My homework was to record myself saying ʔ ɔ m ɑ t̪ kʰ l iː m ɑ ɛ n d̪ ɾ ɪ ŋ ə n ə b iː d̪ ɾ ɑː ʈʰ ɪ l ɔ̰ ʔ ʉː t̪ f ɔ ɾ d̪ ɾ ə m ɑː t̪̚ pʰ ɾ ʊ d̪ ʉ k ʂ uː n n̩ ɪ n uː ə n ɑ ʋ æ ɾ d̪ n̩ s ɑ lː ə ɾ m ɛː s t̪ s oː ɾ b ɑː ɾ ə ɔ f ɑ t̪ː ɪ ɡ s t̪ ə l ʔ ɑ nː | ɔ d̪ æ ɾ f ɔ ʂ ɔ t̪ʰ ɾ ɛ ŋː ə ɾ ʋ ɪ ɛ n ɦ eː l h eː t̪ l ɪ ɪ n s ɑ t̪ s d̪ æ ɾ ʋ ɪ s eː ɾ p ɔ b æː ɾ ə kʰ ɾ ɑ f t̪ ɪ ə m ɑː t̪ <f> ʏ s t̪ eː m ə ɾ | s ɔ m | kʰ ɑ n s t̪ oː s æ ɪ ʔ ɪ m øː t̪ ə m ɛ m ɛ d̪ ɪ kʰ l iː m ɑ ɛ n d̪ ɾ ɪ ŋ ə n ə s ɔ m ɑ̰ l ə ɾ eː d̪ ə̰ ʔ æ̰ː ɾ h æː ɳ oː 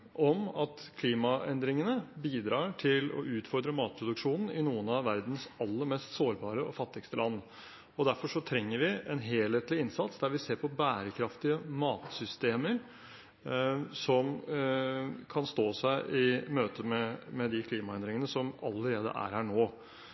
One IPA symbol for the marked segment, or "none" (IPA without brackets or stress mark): s